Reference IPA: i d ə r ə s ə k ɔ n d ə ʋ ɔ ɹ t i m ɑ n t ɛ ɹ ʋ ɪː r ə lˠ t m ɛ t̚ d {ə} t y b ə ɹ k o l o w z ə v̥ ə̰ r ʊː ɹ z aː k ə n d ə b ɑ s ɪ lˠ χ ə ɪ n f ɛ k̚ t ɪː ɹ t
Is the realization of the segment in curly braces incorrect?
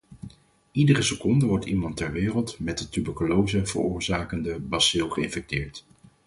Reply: no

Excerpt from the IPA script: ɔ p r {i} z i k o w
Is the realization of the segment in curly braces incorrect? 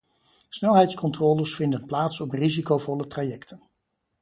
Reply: no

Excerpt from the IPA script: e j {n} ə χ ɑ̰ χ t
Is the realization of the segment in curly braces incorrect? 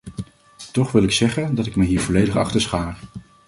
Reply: yes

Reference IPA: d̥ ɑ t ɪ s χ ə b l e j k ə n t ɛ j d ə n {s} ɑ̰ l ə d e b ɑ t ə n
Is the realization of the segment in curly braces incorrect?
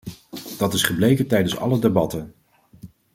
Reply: no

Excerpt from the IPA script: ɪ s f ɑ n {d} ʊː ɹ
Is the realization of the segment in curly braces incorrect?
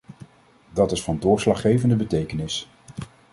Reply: no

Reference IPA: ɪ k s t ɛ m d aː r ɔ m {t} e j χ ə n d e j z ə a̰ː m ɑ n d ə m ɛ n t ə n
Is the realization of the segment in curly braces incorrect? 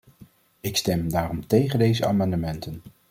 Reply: no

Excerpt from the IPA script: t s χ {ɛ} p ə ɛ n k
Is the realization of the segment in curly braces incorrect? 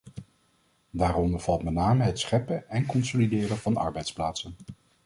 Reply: no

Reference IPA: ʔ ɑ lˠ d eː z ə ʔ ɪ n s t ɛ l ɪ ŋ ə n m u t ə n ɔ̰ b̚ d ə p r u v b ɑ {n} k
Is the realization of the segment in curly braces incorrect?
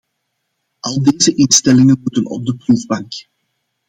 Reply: yes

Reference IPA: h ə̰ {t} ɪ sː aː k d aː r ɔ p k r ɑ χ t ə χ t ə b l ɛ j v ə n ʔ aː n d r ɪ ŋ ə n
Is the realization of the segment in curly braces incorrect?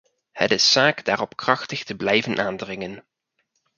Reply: no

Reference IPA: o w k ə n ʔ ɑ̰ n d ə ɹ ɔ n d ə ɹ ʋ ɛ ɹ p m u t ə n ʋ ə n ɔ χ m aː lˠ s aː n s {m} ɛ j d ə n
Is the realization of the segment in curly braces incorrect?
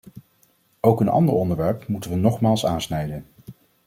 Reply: yes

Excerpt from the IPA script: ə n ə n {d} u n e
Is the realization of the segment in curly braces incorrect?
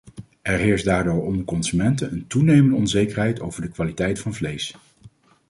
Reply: yes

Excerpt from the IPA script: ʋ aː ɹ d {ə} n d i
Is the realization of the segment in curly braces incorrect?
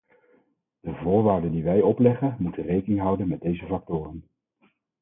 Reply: no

